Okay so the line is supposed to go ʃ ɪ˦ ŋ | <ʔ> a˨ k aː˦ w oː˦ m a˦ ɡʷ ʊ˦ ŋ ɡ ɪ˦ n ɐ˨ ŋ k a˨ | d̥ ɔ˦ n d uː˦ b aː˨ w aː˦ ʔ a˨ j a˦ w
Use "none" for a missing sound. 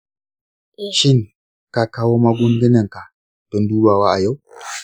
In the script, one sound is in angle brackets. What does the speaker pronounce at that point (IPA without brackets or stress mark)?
k